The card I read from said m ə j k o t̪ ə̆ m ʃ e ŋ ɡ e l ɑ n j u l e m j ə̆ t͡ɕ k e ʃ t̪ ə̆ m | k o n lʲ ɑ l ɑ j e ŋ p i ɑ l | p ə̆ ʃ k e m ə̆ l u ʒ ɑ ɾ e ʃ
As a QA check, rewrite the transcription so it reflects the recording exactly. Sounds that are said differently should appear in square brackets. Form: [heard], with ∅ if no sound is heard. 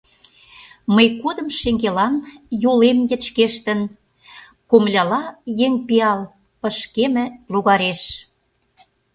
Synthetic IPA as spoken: m ə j k o [d̪] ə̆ m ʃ e ŋ ɡ e l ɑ n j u l e m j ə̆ t͡ɕ k e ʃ t̪ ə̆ [n] | k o [m] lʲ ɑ l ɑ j e ŋ p i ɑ l | p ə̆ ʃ k e m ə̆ l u [ɣ] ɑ ɾ e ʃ